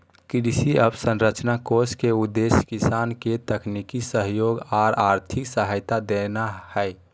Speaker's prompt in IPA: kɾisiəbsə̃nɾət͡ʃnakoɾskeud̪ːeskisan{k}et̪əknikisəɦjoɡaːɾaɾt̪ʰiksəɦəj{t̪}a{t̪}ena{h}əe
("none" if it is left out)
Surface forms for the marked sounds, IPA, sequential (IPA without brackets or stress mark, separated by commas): k, t̪, d̪, h